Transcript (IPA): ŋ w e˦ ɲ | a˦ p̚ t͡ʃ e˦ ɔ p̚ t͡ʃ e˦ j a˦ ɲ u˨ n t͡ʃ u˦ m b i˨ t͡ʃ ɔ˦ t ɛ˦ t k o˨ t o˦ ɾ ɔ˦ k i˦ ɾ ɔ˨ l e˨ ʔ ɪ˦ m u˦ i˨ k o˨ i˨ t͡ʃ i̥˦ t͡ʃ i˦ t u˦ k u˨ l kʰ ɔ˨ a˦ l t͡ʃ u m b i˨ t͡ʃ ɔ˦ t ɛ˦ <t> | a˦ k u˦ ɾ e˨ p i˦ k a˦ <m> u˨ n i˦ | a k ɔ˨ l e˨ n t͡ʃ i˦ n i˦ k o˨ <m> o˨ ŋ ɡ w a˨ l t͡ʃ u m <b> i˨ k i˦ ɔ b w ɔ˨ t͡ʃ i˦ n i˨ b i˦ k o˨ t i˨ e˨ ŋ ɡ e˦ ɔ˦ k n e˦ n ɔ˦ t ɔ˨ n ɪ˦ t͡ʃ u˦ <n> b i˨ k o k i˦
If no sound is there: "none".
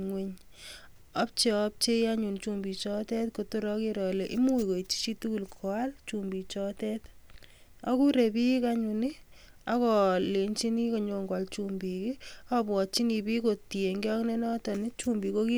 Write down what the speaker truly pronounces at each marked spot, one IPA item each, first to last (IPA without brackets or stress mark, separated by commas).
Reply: t, ɲ, ɲ, b, m